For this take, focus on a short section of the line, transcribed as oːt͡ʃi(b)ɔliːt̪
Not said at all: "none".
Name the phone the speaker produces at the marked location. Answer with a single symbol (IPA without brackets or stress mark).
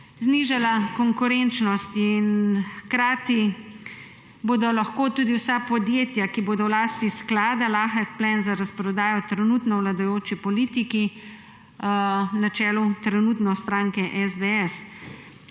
p